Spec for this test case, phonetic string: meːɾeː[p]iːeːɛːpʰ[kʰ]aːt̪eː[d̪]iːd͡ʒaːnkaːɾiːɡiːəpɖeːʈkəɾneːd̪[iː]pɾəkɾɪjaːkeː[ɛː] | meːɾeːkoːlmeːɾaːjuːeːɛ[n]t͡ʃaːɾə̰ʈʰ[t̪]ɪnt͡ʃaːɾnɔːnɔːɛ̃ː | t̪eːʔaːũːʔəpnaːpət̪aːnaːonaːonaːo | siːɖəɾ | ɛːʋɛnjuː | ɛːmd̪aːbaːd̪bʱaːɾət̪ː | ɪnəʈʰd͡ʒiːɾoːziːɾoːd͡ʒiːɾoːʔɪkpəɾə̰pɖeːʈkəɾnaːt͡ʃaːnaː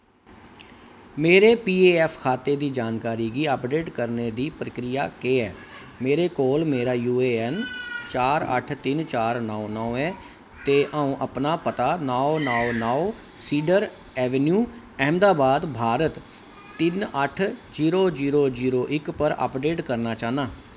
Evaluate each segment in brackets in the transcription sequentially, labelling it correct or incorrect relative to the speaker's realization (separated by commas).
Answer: correct, correct, correct, correct, correct, correct, correct